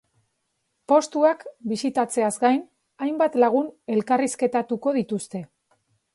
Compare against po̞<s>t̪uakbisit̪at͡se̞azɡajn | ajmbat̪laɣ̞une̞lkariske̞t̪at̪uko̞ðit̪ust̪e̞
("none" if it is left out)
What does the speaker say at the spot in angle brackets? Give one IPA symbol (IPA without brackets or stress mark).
s